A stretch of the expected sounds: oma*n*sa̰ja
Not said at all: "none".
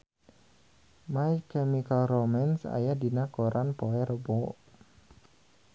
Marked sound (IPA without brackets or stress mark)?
n